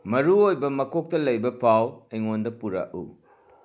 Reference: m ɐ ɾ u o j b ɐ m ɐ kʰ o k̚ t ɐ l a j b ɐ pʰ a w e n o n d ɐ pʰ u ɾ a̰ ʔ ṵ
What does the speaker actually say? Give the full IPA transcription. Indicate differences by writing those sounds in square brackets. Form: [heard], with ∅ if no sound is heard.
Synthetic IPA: m ɐ ɾ u o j b ɐ m ɐ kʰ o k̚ t ɐ l [ɐ] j b ɐ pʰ a w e [ŋ] o n d ɐ [p] u ɾ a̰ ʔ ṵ